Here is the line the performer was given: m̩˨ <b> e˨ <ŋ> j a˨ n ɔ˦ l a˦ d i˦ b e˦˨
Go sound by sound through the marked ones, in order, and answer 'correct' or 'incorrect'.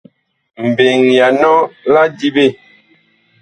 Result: correct, correct

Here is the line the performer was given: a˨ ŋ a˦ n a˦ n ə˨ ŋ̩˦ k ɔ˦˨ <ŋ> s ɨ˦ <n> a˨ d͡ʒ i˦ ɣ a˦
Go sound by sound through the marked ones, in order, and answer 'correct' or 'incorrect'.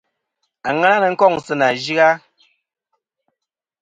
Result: correct, correct

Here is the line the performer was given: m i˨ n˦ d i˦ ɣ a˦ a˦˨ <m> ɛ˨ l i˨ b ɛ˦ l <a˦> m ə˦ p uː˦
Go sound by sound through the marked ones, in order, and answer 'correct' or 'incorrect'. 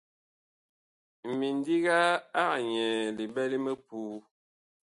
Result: incorrect: ɲ, incorrect: i˦

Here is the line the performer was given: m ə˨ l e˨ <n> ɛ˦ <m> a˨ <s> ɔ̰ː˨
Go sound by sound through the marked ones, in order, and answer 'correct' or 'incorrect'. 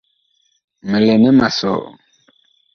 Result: correct, correct, correct

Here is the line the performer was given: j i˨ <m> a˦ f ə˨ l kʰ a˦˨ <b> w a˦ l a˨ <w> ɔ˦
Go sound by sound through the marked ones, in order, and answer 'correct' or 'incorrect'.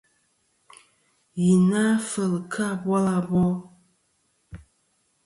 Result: incorrect: n, correct, incorrect: b

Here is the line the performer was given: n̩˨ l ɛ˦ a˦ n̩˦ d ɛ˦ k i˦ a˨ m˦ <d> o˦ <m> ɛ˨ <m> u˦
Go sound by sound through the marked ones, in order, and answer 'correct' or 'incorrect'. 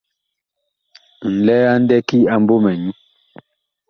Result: incorrect: b, correct, incorrect: ɲ

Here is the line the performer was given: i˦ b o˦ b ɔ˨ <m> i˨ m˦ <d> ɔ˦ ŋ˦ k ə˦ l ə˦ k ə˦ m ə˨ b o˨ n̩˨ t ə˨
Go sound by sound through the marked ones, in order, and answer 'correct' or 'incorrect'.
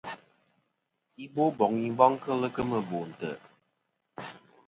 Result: incorrect: ŋ, incorrect: b

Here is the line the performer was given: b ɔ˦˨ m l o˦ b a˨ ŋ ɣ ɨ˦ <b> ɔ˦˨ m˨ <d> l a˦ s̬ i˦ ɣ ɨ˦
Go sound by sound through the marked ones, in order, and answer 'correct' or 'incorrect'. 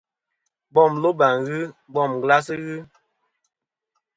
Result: correct, incorrect: ɡ

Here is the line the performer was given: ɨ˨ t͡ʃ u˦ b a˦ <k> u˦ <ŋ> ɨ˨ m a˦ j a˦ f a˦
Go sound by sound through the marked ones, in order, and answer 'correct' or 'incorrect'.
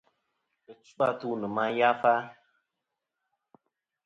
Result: incorrect: t, incorrect: n

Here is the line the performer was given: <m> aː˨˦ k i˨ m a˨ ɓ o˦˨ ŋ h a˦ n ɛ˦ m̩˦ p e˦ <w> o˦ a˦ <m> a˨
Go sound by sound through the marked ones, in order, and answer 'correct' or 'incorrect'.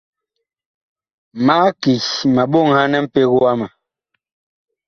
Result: correct, incorrect: ɣ, correct

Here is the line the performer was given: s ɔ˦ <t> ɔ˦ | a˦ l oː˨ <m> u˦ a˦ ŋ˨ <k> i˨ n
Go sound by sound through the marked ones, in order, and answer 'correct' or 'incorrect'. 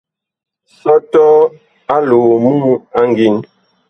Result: correct, correct, incorrect: ɡ

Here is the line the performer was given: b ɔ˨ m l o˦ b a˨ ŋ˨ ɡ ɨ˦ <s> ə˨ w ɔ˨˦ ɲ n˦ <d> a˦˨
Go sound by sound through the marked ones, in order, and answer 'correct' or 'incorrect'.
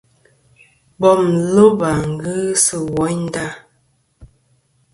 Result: correct, correct

